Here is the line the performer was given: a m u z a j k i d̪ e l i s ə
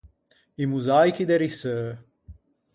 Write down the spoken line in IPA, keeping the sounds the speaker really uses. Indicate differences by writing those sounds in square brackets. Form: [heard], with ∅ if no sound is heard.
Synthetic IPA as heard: [i] m u z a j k i d̪ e [ɾ] i s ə